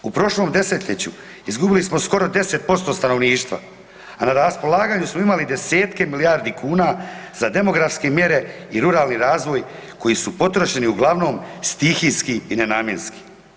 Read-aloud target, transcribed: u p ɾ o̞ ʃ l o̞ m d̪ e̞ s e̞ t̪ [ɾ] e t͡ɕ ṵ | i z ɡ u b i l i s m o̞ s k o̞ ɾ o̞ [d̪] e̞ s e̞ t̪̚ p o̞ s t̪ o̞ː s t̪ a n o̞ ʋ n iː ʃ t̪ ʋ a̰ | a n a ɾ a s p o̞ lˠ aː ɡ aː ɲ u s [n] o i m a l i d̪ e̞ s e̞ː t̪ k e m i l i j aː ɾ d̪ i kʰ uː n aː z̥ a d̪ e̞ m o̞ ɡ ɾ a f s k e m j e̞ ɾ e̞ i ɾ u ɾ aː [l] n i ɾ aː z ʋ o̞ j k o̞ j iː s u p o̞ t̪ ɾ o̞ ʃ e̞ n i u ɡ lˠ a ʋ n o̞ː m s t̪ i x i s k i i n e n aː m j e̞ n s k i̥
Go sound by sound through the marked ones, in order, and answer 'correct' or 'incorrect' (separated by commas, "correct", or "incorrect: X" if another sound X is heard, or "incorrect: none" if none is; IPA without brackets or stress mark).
incorrect: ʎ, correct, incorrect: m, correct